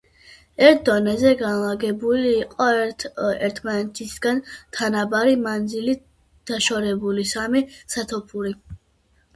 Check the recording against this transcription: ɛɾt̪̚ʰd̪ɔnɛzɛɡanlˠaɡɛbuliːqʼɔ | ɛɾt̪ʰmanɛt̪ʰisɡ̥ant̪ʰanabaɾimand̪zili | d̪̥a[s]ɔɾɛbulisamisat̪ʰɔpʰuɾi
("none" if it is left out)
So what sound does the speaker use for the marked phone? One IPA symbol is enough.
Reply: ʃ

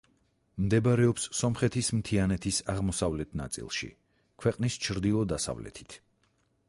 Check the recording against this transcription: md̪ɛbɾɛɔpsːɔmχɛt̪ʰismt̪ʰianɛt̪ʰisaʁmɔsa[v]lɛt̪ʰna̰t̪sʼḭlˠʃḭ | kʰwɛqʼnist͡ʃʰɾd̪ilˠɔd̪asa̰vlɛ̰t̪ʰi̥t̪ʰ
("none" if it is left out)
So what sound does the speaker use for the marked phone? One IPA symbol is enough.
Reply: v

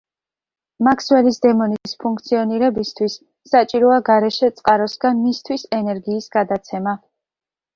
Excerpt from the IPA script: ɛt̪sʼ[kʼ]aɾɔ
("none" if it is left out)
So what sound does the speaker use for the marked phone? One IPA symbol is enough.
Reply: qʼ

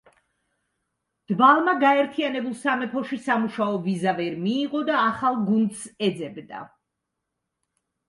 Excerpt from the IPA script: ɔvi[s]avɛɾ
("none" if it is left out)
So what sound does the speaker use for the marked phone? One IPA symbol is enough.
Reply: z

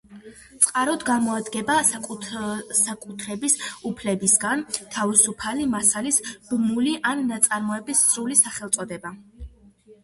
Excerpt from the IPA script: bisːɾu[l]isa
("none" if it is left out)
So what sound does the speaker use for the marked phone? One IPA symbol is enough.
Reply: l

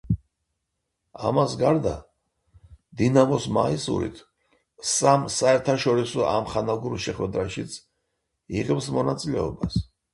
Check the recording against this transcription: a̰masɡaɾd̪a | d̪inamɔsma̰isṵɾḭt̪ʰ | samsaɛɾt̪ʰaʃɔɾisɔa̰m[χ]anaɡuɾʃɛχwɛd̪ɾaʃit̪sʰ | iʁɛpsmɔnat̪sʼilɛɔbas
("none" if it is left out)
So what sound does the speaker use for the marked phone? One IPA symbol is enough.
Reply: χ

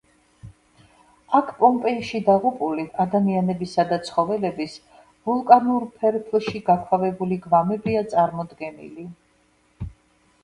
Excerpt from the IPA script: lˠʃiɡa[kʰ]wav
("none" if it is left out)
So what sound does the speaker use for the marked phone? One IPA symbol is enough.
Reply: kʰ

